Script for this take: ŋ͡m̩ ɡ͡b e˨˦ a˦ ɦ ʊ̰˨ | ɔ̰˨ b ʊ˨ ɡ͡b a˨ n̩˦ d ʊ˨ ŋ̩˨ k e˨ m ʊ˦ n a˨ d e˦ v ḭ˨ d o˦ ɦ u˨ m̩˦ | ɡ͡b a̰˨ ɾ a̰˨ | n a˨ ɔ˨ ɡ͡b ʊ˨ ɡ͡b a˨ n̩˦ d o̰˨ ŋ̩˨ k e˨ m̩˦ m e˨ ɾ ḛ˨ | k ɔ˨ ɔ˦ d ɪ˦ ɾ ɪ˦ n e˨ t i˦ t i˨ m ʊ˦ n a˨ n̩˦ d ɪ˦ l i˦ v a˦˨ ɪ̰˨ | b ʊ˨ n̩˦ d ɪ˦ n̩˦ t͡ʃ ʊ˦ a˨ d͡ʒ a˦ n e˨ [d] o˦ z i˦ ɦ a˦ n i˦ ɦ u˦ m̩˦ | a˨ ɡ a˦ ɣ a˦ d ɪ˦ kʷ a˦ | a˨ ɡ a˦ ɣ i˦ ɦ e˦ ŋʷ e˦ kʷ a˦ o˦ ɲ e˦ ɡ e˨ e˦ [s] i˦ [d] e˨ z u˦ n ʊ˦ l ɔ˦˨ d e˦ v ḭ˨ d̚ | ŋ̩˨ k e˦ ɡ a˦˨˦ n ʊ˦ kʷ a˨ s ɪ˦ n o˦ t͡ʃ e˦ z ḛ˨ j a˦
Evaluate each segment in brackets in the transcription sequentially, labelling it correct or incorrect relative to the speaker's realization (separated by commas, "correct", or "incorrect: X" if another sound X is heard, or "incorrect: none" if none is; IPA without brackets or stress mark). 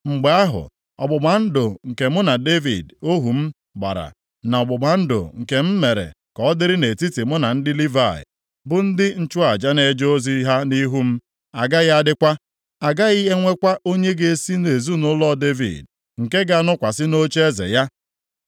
incorrect: d͡ʒ, correct, incorrect: n